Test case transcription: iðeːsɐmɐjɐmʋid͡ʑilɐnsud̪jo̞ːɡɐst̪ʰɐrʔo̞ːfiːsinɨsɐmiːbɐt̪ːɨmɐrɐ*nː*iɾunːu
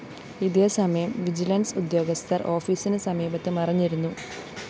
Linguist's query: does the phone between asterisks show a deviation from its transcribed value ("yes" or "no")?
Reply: yes